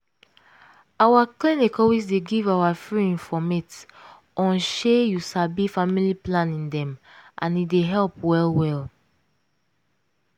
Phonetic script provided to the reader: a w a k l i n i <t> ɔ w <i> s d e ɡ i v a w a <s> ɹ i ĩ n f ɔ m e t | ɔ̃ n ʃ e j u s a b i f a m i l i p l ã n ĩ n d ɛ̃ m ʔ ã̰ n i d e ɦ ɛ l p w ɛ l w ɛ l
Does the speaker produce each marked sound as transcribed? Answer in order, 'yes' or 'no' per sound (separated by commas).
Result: no, yes, no